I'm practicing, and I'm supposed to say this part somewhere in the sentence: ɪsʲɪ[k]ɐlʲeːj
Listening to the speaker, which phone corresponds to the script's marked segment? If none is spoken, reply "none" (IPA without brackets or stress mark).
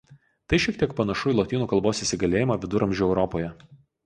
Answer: ɡ